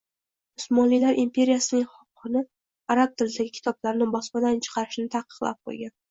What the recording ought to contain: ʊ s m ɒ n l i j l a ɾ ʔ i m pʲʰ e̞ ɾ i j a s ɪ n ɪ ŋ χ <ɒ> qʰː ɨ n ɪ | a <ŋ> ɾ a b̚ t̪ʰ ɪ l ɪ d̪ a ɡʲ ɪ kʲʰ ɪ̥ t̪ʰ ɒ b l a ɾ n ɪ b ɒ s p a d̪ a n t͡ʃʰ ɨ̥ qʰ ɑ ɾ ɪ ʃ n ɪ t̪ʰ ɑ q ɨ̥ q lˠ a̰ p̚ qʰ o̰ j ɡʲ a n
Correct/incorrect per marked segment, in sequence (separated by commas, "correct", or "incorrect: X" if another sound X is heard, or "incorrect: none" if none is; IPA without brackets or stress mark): correct, incorrect: none